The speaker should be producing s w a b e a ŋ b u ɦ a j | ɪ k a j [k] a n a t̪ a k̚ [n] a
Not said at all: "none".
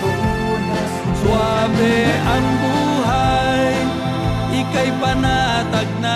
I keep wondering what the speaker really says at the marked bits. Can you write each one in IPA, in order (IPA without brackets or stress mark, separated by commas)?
p, n